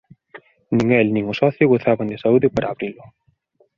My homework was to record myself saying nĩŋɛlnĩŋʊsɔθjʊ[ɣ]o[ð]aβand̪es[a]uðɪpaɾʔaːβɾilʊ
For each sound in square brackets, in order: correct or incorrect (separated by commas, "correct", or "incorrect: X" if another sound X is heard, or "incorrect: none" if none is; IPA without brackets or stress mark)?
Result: correct, incorrect: θ, correct